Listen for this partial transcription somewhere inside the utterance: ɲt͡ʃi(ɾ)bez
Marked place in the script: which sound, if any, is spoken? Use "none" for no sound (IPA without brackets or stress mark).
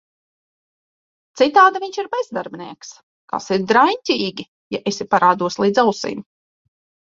ɾ